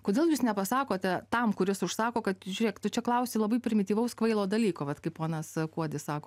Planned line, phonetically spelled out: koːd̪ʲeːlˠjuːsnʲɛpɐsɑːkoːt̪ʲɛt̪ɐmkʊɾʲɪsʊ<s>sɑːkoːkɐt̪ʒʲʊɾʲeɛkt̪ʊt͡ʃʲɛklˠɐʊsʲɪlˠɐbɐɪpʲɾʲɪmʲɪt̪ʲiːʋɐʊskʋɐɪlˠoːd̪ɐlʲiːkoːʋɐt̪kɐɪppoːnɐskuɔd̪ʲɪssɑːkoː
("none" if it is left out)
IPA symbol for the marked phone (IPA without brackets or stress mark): ʃ